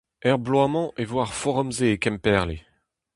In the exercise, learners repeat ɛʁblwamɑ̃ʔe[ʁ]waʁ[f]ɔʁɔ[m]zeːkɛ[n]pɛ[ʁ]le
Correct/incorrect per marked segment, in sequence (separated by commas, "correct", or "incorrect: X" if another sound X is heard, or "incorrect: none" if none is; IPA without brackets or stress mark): incorrect: v, correct, correct, incorrect: m, correct